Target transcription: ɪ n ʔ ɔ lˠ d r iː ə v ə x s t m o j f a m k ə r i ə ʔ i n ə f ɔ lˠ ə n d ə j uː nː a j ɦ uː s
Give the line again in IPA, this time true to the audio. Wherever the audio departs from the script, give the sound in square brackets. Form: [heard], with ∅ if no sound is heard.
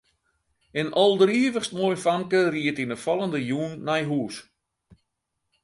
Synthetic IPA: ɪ n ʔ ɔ lˠ d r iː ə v ə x s t m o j f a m k ə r i ə [t] i n ə f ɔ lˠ ə n d ə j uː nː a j ɦ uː s